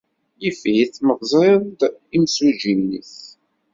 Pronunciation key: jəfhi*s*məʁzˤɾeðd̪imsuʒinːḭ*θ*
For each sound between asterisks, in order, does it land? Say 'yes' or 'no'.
no, yes

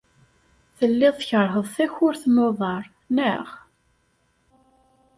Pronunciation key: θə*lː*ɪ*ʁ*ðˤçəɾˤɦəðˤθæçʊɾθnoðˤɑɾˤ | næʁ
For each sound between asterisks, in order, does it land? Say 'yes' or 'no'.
yes, no

